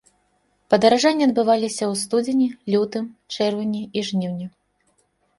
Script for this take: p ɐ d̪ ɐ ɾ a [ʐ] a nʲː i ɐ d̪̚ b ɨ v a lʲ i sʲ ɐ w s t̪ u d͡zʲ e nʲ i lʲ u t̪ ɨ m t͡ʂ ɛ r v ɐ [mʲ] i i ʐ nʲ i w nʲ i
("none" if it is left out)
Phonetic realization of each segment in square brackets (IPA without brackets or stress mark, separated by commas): ʐ, nʲ